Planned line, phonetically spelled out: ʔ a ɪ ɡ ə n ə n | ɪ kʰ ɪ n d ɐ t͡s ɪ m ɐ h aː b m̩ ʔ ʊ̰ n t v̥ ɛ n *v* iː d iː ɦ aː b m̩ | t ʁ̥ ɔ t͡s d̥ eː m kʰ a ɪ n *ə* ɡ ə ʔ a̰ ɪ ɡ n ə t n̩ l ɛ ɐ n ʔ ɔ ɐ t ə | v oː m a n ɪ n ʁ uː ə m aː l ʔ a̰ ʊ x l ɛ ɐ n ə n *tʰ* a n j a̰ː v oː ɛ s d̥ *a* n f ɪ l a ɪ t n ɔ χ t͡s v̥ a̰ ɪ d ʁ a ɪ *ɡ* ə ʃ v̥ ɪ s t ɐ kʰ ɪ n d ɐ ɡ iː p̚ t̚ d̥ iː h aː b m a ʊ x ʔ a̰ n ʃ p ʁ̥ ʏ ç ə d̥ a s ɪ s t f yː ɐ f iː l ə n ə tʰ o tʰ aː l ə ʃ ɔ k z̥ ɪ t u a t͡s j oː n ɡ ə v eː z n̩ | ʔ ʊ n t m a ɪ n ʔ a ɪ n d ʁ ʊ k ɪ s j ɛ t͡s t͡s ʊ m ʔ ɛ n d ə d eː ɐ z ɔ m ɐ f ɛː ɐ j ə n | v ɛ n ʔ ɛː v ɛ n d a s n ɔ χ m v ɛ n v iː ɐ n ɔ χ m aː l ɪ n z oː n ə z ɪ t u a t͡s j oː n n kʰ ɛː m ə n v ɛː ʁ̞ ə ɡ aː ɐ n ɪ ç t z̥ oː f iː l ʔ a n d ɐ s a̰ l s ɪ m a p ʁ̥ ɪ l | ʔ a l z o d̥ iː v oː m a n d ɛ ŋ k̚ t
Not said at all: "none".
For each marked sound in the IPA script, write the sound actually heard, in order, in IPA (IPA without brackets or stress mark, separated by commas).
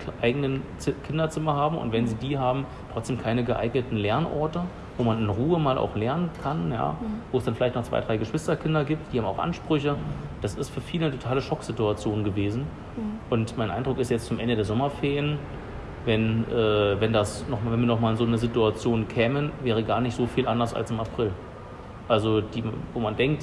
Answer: z, ə, kʰ, a, ɡ